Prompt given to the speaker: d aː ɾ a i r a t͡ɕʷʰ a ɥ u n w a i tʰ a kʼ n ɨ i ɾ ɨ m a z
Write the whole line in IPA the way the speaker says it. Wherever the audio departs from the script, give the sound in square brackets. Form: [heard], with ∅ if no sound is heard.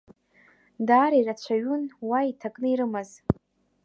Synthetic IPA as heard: d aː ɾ a i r a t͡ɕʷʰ a ɥ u n w a i tʰ a kʼ n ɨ i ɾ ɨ m a z